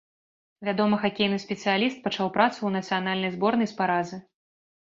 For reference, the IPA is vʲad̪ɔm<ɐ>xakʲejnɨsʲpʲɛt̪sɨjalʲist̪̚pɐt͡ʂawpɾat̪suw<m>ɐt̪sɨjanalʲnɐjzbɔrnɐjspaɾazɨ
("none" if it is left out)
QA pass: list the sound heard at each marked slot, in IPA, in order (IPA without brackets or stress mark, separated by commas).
ɐ, n